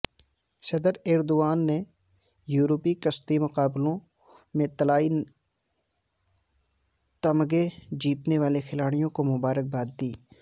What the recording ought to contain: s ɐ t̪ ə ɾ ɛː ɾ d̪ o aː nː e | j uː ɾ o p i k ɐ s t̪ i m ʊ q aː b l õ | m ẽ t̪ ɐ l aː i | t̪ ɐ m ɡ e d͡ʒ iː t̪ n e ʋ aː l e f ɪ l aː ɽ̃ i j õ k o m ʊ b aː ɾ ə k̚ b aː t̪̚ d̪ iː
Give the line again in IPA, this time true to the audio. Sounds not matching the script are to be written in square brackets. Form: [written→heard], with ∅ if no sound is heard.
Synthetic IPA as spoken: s ɐ [t̪→d̪] ə ɾ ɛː ɾ d̪ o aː nː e | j uː ɾ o p i k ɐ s t̪ i m ʊ q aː b l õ | m ẽ t̪ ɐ l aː i | t̪ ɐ m ɡ e d͡ʒ iː t̪ n e ʋ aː l e [f→x] ɪ l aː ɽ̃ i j õ k o m ʊ b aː ɾ ə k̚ b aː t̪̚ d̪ iː